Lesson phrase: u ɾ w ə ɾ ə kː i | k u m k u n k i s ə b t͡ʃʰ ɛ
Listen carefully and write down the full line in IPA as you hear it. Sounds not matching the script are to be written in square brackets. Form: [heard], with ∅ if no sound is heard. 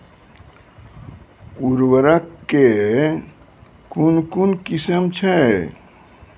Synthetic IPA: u ɾ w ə ɾ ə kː [e] | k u [n] k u n k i s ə [m] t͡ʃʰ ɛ